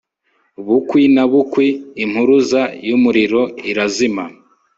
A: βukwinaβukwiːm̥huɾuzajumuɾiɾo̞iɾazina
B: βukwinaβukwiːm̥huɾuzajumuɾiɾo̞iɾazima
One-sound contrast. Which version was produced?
B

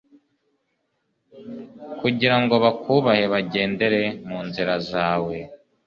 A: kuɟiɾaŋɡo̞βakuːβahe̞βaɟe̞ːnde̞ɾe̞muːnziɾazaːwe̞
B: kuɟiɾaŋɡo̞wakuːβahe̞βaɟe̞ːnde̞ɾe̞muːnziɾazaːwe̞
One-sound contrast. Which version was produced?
A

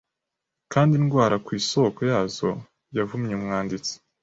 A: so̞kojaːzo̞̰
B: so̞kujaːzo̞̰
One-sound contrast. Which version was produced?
A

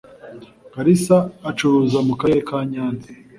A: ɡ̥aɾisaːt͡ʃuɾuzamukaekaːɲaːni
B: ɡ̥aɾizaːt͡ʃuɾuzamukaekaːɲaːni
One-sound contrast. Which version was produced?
A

